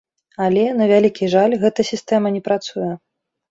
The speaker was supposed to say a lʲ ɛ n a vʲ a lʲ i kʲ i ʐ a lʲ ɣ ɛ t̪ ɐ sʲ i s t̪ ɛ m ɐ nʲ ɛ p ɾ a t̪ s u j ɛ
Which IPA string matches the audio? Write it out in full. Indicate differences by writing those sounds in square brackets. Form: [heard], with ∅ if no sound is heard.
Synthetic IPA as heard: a lʲ ɛ n [ɐ] vʲ a lʲ i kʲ i ʐ a lʲ ɣ ɛ t̪ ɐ sʲ i s t̪ ɛ m ɐ nʲ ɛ p ɾ a t̪ s u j ɛ

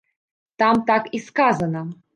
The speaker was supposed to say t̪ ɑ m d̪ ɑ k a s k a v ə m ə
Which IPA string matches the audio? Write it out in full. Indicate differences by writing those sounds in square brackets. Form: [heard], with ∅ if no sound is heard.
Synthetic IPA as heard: t̪ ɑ m [t̪] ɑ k [i] s k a [z] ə [n] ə

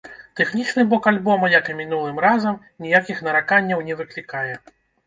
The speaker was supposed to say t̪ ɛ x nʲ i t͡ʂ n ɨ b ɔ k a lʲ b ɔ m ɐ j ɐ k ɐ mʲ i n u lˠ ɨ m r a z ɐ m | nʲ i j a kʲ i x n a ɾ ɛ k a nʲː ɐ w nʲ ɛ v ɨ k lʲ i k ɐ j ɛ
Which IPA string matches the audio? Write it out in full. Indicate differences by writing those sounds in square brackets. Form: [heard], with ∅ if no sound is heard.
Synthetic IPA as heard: t̪ ɛ x nʲ i t͡ʂ n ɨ b ɔ k a lʲ b ɔ m ɐ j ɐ k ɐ mʲ i n u lˠ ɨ m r a z ɐ m | nʲ i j a kʲ i x n [ɐ] ɾ [a] k a nʲː ɐ w nʲ ɛ v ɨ k lʲ i k [a] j ɛ

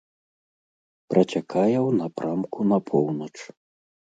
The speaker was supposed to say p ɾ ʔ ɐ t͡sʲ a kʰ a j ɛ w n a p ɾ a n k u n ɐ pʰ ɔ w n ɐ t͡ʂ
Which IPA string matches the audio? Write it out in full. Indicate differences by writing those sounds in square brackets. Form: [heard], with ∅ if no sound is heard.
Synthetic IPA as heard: p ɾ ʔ ɐ t͡sʲ a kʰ a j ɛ w n a p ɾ a [m] k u n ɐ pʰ ɔ w n ɐ t͡ʂ

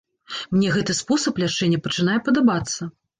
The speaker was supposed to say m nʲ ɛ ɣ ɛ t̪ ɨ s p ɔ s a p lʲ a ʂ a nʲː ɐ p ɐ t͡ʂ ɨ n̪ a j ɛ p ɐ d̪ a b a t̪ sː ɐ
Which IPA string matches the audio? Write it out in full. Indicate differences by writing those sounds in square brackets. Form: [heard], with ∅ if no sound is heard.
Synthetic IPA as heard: m nʲ ɛ ɣ ɛ t̪ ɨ s p ɔ s [ɐ] p lʲ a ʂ [ɛ] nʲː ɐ p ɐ t͡ʂ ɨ n̪ a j ɛ p ɐ d̪ a b a t̪ sː ɐ

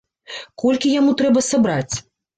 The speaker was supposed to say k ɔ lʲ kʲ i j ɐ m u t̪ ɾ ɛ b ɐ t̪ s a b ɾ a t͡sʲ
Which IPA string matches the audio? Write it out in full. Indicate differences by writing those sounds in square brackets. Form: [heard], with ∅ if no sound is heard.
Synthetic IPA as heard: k ɔ lʲ kʲ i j [a] m u t̪ ɾ ɛ b ɐ [∅] s a b ɾ a t͡sʲ

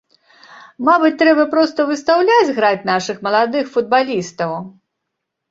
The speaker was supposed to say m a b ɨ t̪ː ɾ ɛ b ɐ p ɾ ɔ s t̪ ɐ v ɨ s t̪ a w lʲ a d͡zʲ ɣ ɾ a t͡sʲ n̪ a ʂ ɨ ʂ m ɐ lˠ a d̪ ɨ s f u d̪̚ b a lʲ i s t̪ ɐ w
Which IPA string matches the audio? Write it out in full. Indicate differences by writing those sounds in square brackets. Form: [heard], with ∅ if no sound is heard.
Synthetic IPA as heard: m a b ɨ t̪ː ɾ ɛ b ɐ p ɾ ɔ s t̪ ɐ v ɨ s t̪ a w lʲ a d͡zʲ ɣ ɾ a t͡sʲ n̪ a ʂ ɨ [x] m ɐ lˠ a d̪ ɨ [x] f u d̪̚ b a lʲ i s t̪ ɐ w

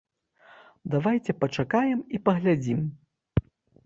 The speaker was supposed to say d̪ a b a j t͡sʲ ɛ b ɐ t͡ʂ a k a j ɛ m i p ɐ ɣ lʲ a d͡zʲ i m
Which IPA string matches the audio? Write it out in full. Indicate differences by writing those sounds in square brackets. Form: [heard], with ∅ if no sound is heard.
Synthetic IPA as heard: d̪ a [v] a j t͡sʲ ɛ [p] ɐ t͡ʂ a k a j ɛ m i p ɐ ɣ lʲ a d͡zʲ i m

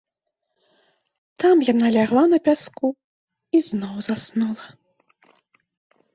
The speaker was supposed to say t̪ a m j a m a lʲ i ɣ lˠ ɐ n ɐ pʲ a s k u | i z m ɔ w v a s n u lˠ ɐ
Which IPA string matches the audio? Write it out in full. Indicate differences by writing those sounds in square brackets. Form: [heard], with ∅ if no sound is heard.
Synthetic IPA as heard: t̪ a m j a [n] a lʲ [a] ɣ lˠ [a] n ɐ pʲ a s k u | i z [n] ɔ w [z] a s n u lˠ ɐ

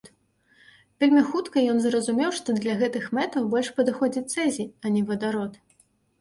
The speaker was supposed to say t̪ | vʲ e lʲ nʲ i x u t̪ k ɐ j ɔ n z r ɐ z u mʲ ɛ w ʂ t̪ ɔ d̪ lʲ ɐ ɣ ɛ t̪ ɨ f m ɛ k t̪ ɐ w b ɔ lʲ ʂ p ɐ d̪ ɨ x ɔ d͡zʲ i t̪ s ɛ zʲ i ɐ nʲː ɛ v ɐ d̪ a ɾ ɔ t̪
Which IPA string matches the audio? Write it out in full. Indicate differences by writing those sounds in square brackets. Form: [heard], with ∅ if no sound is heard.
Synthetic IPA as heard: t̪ | vʲ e lʲ [mʲ] i x u t̪ k ɐ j ɔ n z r ɐ z u mʲ ɛ w ʂ t̪ ɔ d̪ lʲ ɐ ɣ ɛ t̪ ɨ [x] m ɛ [∅] t̪ ɐ w b ɔ lʲ ʂ p ɐ d̪ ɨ x ɔ d͡zʲ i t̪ s ɛ zʲ i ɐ [nʲ] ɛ v ɐ d̪ a ɾ ɔ t̪

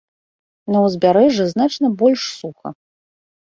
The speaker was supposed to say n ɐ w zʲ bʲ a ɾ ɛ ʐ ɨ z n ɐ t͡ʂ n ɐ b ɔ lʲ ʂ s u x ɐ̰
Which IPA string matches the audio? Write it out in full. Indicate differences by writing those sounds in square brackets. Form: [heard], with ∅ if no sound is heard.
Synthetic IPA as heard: n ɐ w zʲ bʲ a ɾ ɛ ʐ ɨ z n [a] t͡ʂ n ɐ b ɔ lʲ ʂ s u x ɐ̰

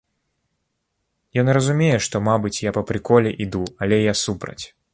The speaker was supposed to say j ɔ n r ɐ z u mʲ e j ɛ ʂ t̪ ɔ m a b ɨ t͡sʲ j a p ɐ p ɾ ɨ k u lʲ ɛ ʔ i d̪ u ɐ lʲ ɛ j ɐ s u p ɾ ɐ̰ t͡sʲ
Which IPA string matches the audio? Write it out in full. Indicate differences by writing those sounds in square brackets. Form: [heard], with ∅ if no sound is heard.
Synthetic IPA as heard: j ɔ n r ɐ z u mʲ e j ɛ ʂ t̪ ɔ m a b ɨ t͡sʲ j a p ɐ p ɾ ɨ k [ɔ] lʲ ɛ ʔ i d̪ u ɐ lʲ ɛ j [a] s u p ɾ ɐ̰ t͡sʲ

